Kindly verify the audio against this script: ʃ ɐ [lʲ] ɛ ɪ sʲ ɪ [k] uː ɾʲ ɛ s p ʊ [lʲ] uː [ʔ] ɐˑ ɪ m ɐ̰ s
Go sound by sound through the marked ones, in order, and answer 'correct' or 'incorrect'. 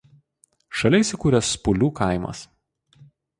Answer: correct, correct, correct, incorrect

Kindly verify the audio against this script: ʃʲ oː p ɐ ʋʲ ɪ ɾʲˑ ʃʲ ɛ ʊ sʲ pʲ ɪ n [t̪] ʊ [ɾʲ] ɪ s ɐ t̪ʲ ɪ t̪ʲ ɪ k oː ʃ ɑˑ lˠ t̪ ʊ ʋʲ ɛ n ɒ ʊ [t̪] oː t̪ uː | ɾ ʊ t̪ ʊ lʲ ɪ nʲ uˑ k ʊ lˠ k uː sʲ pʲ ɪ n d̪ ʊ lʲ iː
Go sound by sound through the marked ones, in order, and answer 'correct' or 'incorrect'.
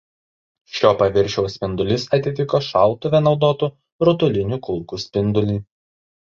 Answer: incorrect, incorrect, incorrect

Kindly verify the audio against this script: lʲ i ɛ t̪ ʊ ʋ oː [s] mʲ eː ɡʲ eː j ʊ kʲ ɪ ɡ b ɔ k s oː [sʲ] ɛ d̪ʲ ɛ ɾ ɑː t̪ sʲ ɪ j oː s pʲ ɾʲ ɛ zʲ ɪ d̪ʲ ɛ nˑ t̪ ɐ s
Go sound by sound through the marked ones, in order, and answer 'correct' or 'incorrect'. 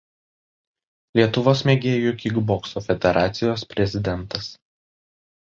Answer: correct, incorrect

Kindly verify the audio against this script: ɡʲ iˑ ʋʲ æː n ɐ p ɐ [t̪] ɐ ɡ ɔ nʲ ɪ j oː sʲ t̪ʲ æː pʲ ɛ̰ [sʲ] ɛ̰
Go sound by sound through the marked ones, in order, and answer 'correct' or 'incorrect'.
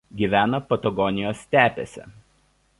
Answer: correct, correct

